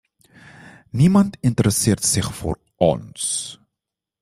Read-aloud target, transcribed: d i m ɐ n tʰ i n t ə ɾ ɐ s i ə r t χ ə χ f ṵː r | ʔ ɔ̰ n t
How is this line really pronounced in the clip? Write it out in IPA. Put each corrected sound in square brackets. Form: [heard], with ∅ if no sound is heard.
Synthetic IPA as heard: [n] i m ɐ n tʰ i n t ə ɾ [ə] s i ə r t [s] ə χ f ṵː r | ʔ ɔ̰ n [s]